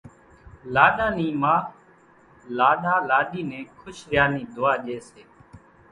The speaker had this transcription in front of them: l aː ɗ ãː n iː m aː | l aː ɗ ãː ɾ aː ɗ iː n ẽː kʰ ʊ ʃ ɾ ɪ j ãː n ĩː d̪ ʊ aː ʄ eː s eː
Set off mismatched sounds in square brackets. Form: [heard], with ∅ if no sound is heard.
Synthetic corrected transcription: l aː ɗ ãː n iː m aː | l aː ɗ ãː [l] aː ɗ iː n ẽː kʰ ʊ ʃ ɾ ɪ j [aː] n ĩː d̪ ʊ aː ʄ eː s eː